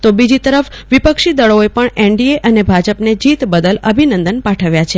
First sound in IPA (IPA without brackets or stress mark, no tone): t̪